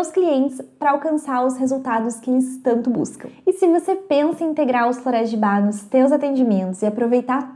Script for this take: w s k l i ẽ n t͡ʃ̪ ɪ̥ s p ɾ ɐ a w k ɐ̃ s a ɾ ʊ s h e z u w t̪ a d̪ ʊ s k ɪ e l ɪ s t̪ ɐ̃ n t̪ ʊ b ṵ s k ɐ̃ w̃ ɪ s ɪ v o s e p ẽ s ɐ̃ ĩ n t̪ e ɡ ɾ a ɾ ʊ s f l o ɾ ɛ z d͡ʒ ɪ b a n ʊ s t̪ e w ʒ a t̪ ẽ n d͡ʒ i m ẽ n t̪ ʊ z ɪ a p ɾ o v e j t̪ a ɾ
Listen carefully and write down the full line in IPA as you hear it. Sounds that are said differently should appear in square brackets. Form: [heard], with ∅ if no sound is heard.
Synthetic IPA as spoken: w s k l i ẽ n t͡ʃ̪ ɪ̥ s p ɾ ɐ a w k ɐ̃ s a ɾ ʊ s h e z u w t̪ a d̪ ʊ s k ɪ e l ɪ s t̪ ɐ̃ n t̪ ʊ b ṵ s k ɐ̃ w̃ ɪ s ɪ v o s e p ẽ s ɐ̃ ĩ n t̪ e ɡ ɾ a ɾ ʊ s f l o ɾ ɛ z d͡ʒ ɪ b a n ʊ s t̪ e w [z] a t̪ ẽ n d͡ʒ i m ẽ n t̪ ʊ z ɪ a p ɾ o v e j t̪ a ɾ